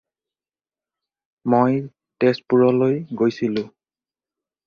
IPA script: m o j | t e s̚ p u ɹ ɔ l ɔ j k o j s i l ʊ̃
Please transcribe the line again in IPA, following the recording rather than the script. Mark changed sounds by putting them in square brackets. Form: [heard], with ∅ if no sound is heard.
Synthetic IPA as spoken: m o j | t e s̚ p u ɹ ɔ l [o] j [ɡ] o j s i l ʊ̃